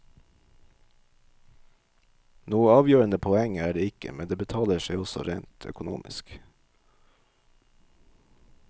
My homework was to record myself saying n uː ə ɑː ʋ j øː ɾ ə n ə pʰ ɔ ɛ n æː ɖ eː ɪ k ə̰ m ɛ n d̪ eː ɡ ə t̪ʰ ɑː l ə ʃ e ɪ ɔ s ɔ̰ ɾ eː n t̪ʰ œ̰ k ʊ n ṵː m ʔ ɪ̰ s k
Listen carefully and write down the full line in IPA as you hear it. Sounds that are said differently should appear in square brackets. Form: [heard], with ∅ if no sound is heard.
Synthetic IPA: n uː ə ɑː ʋ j øː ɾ ə n ə pʰ ɔ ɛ [ŋ] æː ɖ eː ɪ k ə̰ m ɛ n d̪ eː [b] ə t̪ʰ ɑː l ə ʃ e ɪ ɔ s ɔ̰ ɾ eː n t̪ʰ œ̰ k ʊ n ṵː m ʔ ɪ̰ s k